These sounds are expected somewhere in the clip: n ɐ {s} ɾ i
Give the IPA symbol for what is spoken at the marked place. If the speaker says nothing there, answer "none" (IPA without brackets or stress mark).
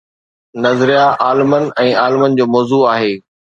z